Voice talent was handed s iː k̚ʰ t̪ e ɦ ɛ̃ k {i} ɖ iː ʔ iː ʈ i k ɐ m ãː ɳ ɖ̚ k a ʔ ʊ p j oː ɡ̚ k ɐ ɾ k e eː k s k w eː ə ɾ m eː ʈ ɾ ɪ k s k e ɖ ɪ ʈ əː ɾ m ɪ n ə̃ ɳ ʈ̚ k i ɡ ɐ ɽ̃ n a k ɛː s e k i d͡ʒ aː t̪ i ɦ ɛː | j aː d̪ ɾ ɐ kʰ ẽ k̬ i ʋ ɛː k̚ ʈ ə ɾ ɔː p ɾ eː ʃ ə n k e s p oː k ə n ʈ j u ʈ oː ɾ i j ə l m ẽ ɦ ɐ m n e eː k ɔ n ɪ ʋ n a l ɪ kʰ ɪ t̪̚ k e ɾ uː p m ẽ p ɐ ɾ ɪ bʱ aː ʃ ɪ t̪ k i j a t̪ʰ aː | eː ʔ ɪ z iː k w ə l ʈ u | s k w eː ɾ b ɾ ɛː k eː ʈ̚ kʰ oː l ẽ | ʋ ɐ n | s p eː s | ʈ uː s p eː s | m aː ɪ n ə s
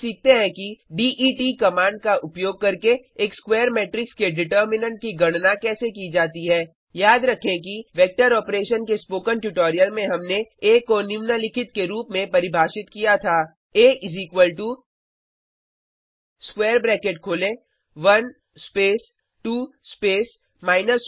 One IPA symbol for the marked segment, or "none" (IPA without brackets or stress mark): i